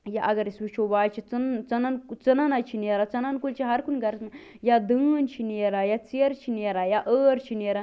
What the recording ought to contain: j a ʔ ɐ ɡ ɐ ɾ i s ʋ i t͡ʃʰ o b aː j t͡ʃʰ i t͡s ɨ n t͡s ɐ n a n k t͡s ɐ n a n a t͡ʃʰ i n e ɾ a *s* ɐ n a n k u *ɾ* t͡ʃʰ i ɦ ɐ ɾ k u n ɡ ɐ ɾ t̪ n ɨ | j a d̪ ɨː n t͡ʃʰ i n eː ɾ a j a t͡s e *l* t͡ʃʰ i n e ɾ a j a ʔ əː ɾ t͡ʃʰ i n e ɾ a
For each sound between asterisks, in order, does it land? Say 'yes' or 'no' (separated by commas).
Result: no, no, no